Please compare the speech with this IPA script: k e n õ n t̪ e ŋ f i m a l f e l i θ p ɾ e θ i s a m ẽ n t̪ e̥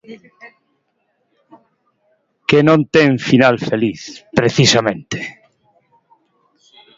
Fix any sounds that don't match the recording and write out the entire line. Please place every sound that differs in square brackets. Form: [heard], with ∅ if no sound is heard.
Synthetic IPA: k e n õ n t̪ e ŋ f i [n] a l f e l i θ p ɾ e θ i s a m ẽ n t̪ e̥